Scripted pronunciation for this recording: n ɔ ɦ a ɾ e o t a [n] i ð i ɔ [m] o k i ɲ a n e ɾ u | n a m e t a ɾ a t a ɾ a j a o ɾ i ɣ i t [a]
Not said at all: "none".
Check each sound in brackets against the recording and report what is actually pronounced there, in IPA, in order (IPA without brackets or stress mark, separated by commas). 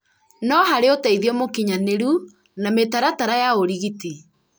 none, m, i